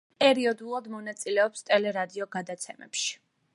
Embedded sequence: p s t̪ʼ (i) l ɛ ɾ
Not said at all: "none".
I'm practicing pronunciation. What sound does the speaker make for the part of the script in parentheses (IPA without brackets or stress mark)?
ɛ